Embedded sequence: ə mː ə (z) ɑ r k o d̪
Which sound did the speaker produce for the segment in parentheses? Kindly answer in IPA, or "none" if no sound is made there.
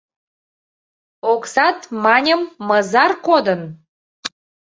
z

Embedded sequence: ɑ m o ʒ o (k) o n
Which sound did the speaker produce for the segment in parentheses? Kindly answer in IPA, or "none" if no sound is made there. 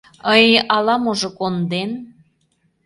k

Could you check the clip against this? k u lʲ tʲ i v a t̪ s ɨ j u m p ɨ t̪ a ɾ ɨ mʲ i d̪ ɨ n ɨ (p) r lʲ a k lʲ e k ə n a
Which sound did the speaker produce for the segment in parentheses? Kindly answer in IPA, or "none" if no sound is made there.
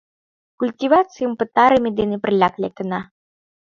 p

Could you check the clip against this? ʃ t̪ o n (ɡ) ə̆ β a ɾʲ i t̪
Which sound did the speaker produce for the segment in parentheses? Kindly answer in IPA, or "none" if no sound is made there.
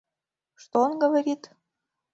ɡ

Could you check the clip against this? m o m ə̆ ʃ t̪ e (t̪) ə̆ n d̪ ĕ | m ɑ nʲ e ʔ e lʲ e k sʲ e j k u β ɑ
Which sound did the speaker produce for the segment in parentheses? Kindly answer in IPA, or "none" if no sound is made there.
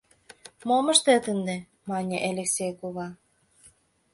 t̪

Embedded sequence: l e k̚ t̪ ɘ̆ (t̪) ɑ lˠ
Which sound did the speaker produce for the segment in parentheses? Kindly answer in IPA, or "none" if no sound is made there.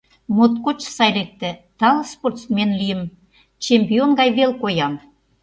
t̪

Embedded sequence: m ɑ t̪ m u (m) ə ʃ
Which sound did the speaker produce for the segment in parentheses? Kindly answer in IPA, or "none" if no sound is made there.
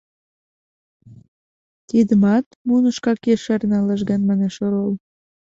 n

